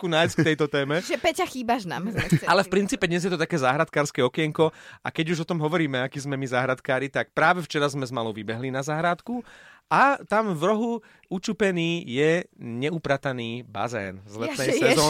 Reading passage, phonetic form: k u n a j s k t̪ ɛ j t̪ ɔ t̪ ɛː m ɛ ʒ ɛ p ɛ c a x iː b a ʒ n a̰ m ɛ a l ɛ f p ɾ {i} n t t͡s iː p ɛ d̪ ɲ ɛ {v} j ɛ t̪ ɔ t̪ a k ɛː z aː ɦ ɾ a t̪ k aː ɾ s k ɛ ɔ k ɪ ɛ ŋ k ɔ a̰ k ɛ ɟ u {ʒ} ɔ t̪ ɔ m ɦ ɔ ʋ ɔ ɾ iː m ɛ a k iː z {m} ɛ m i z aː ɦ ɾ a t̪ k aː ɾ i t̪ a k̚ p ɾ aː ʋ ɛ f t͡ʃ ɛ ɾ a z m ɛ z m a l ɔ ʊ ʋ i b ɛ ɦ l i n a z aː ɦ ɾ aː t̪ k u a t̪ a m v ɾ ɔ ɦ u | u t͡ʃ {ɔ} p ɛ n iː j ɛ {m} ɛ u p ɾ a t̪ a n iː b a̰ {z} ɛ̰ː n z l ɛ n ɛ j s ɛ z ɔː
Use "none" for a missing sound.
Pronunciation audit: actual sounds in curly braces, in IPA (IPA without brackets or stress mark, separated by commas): i, z, ʒ, m, u, ɲ, z